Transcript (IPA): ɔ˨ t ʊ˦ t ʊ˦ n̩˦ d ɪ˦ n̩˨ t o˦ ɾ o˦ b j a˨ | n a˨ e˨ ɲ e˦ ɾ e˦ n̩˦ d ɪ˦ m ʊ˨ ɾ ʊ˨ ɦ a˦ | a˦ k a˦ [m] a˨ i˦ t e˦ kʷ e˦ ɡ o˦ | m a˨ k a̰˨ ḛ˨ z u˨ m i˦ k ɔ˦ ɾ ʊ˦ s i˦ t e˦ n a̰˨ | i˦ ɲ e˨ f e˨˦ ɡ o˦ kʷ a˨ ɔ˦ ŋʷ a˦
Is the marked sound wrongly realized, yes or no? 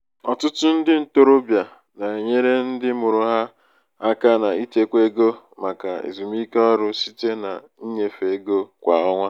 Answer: yes